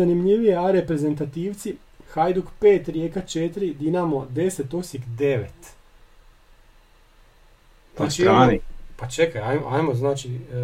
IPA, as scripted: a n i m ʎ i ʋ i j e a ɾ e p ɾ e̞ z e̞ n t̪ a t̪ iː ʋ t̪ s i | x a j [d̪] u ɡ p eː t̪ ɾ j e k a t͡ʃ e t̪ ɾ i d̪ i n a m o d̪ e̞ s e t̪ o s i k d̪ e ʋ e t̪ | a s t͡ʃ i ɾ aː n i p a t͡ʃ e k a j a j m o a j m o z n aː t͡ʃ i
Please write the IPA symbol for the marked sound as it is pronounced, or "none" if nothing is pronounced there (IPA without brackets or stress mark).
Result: d̪